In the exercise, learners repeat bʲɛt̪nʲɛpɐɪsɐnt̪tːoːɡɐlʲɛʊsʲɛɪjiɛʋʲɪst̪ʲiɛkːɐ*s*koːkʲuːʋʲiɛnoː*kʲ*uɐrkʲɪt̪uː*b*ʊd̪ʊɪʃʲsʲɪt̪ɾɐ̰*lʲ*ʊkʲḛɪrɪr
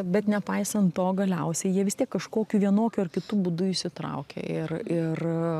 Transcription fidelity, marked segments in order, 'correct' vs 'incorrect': incorrect, correct, correct, incorrect

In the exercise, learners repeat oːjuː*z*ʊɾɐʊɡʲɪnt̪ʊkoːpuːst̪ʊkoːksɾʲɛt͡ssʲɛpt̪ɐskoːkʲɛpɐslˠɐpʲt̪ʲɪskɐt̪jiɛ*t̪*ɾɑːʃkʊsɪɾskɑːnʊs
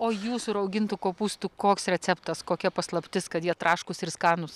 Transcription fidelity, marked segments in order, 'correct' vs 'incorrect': incorrect, correct

